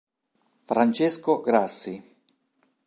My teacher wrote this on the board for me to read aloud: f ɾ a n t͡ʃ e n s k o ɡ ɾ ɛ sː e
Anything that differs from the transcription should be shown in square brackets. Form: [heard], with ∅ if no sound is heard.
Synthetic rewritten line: f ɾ a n t͡ʃ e [∅] s k o ɡ ɾ [a] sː [i]